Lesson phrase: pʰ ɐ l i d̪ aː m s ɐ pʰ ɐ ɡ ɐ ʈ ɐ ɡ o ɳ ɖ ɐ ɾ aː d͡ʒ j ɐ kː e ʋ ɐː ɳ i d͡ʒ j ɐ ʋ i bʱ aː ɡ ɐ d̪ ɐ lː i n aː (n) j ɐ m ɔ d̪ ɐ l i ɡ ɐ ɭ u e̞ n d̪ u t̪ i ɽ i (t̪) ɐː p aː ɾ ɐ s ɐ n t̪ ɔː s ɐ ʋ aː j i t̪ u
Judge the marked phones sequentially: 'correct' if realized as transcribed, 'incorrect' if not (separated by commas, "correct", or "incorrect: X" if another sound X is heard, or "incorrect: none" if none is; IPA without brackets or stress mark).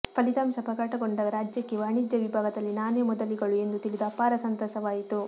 correct, incorrect: d̪